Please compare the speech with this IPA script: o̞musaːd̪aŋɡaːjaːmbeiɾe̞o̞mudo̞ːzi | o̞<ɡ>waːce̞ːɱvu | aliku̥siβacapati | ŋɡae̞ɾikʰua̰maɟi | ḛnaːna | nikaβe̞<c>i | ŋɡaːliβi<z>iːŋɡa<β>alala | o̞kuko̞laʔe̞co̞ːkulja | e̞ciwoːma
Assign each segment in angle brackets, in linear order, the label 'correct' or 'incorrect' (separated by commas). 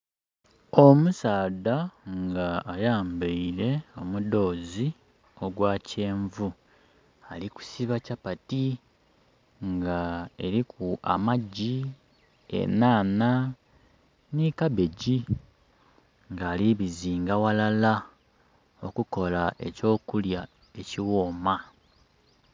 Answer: correct, incorrect, correct, incorrect